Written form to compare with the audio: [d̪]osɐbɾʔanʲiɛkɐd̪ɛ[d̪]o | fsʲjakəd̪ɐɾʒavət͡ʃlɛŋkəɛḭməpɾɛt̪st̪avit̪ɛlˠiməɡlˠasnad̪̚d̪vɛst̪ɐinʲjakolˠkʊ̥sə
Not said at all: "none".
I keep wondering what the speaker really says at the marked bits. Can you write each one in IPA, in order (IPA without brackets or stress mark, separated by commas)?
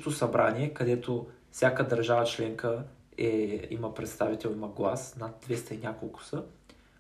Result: t̪, t̪